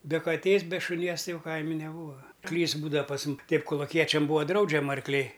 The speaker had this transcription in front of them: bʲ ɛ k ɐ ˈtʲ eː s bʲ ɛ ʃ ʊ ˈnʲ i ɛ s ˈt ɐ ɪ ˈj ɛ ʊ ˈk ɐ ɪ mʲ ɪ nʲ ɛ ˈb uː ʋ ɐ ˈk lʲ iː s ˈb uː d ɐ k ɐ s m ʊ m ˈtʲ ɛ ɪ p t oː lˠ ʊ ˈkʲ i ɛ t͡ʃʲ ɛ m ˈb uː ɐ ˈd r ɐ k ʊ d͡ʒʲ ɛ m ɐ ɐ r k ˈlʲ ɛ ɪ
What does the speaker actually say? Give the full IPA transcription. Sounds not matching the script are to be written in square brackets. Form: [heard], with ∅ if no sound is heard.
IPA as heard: bʲ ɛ k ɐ ˈtʲ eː s bʲ ɛ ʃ ʊ ˈnʲ i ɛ s ˈt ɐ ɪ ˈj ɛ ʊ ˈk ɐ ɪ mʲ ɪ nʲ ɛ ˈb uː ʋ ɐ ˈk lʲ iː s ˈb uː d ɐ [p] ɐ s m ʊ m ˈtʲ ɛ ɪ p [k] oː lˠ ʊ ˈkʲ i ɛ t͡ʃʲ ɛ m ˈb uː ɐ ˈd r ɐ [∅] ʊ d͡ʒʲ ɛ m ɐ ɐ r k ˈlʲ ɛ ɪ